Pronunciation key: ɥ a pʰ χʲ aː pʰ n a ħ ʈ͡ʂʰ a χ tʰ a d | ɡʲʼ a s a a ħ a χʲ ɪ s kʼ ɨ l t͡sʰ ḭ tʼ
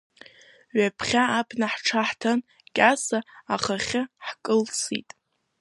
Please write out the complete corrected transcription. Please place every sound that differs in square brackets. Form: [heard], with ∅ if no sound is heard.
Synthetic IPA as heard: ɥ a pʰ χʲ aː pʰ n a ħ ʈ͡ʂʰ a [ħ] tʰ a [n] | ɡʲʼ a s a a [χ] a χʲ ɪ [ħ] kʼ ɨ l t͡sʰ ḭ tʼ